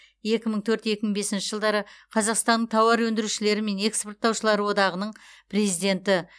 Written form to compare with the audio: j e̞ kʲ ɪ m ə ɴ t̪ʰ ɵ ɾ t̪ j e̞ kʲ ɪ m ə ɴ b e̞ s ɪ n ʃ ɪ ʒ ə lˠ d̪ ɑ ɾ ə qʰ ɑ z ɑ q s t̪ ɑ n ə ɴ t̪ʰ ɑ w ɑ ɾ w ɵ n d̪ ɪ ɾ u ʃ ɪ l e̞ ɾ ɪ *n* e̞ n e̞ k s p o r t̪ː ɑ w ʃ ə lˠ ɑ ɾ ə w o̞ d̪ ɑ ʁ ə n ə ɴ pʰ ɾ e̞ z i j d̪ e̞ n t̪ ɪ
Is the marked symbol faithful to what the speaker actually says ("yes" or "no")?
no